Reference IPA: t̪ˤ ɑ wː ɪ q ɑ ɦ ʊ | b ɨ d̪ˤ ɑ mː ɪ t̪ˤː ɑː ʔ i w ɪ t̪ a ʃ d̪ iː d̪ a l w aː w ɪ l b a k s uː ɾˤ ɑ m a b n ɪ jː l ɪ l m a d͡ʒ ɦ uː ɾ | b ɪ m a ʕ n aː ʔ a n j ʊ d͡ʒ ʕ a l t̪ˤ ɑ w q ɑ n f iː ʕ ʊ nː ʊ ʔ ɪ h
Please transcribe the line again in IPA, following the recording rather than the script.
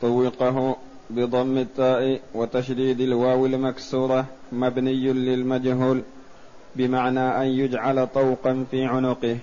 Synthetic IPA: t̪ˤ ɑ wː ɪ q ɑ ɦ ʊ | b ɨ d̪ˤ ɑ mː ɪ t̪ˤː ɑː ʔ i w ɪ t̪ a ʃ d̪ iː d̪ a l w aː w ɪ l m a k s uː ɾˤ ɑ m a b n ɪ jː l ɪ l m a d͡ʒ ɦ uː l | b ɪ m a ʕ n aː ʔ a n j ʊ d͡ʒ ʕ a l t̪ˤ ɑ w q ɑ n f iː ʕ ʊ n ʊ q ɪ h